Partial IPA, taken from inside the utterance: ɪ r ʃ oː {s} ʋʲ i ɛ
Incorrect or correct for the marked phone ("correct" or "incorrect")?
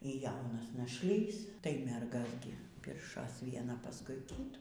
correct